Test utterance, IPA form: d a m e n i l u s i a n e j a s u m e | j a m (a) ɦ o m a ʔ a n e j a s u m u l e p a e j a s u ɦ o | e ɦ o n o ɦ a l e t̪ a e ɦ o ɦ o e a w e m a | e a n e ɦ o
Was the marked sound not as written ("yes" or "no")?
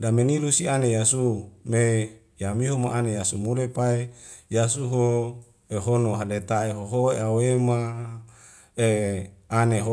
yes